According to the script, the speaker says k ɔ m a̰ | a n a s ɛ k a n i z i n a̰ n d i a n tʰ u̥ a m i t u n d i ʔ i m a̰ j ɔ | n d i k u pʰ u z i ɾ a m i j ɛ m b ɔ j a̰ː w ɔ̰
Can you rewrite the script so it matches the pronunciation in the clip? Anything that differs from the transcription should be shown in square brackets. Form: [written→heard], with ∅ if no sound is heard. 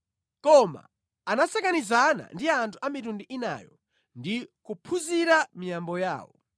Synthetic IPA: k ɔ m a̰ | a n a s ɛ k a n i z [i→a] n a̰ n d i a n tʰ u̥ a m i t u n d i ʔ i [m→n] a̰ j ɔ | n d i k u pʰ u z i ɾ a m i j [ɛ→a] m b ɔ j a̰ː w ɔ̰